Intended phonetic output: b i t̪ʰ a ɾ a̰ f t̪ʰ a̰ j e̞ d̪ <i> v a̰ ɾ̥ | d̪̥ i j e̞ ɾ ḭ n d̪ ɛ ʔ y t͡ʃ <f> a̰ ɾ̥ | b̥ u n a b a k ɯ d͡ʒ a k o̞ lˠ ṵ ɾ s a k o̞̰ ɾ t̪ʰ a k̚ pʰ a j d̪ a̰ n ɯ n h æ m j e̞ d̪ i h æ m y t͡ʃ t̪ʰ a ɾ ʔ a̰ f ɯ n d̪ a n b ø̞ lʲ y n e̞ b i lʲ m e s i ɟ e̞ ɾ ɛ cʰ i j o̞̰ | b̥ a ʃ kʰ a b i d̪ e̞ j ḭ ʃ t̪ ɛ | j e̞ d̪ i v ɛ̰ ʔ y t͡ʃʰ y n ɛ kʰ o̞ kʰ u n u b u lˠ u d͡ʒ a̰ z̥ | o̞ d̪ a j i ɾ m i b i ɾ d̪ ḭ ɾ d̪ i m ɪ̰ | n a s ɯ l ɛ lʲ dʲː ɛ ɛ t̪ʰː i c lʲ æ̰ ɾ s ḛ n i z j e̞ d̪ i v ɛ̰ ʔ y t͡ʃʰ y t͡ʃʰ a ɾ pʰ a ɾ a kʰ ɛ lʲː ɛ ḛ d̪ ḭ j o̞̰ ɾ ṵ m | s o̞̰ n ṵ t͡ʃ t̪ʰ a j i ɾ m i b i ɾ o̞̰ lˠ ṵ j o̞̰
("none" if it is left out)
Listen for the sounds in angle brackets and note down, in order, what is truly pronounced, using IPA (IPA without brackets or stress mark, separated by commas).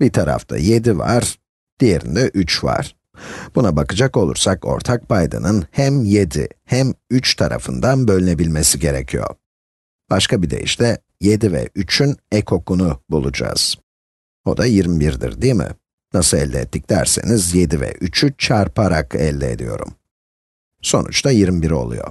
i, v